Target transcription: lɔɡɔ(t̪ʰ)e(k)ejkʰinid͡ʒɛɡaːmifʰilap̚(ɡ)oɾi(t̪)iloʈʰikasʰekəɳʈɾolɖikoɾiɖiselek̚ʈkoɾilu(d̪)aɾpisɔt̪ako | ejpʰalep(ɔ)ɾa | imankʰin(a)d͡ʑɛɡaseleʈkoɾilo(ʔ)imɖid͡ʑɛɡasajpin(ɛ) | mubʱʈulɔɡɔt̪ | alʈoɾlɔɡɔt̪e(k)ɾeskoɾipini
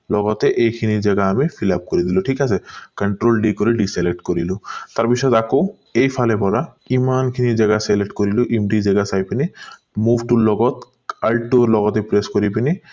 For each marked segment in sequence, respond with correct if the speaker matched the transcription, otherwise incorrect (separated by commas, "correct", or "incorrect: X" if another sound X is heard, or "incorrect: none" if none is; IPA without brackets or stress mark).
incorrect: t̪, incorrect: ʔ, incorrect: k, incorrect: d̪, incorrect: t̪, correct, incorrect: i, correct, incorrect: i, incorrect: p